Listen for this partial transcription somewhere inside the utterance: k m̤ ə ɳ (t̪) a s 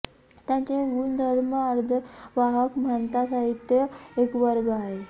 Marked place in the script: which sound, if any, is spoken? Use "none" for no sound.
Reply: t̪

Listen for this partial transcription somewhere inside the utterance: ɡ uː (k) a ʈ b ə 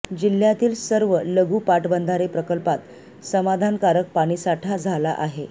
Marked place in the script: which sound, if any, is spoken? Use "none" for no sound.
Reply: p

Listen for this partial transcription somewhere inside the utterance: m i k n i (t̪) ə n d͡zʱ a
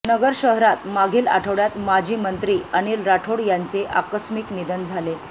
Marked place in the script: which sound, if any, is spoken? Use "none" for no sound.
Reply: d̪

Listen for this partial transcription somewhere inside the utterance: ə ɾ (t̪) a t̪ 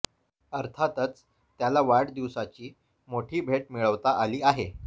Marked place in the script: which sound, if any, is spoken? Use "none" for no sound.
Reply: t̪ʰ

